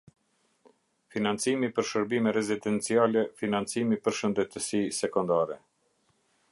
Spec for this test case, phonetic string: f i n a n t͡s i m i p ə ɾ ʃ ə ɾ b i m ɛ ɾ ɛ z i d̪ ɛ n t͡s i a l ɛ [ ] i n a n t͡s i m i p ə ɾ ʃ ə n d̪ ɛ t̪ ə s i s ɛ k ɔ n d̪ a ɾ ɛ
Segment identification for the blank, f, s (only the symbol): f